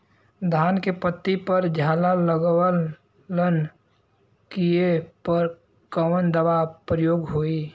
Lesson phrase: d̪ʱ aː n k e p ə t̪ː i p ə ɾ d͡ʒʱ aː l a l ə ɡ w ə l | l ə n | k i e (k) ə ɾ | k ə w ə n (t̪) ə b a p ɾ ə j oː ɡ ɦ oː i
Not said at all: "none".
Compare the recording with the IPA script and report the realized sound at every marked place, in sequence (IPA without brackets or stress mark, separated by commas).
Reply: p, d̪